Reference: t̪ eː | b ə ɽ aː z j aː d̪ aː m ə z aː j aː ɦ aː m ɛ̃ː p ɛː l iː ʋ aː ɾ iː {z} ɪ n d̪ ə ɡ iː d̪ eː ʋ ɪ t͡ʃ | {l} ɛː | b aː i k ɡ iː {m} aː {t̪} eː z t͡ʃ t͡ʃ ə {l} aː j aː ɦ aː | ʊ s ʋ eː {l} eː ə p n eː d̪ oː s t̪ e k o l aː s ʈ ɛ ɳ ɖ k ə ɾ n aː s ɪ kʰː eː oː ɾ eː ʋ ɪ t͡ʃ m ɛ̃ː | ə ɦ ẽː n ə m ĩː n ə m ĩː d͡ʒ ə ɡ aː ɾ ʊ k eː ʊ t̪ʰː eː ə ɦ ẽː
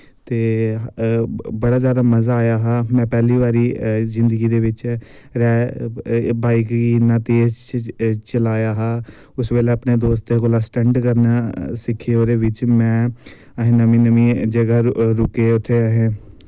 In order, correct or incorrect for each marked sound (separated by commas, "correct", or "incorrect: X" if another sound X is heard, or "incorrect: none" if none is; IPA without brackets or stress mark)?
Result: correct, incorrect: ɾ, incorrect: n, correct, correct, correct